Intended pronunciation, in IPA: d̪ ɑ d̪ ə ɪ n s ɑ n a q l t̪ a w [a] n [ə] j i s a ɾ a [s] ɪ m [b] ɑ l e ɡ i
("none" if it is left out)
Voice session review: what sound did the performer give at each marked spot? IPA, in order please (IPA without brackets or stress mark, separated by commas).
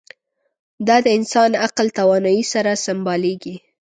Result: ɑ, ɑ, s, b